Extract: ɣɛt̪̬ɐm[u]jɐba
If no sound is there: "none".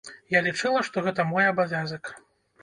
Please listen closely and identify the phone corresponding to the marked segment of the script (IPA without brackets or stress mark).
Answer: ɔ